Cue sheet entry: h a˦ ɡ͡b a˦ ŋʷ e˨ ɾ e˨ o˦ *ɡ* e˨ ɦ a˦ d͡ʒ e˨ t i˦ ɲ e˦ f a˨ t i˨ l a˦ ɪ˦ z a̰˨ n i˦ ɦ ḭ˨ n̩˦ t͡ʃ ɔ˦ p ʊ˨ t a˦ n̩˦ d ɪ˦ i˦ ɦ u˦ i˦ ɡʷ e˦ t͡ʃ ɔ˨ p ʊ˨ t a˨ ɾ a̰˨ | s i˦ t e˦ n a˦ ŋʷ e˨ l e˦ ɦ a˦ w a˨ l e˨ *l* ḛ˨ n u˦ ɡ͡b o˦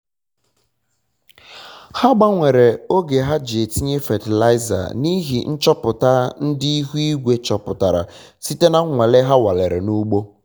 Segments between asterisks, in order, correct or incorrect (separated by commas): correct, incorrect